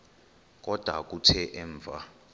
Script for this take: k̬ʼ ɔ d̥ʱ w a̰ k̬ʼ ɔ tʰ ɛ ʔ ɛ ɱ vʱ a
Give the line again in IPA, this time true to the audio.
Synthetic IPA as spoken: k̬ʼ ɔ d̥ʱ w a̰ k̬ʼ u tʰ ɛ ʔ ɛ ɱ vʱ a